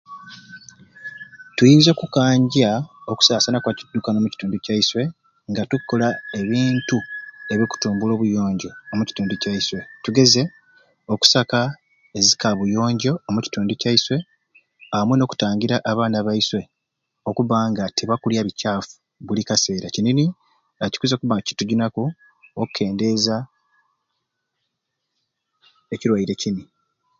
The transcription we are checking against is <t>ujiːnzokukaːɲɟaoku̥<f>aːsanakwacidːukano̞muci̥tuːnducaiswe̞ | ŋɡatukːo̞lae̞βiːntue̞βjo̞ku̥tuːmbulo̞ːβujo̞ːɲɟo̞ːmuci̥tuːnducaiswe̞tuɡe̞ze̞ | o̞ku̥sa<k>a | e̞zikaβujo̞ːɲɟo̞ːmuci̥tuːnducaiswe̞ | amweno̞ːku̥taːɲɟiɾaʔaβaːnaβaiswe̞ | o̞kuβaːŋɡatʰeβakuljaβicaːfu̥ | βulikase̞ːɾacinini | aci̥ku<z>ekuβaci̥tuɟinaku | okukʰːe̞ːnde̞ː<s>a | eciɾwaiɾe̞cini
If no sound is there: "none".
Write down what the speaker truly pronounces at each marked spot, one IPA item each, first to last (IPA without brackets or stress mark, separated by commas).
t, s, k, z, z